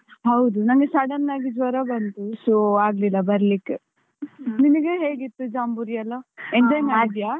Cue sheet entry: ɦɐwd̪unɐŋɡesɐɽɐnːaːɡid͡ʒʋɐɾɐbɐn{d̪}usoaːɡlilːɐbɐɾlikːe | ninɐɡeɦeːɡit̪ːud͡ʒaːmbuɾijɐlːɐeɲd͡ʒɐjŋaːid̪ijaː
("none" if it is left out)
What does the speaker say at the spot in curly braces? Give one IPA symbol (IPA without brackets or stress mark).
t̪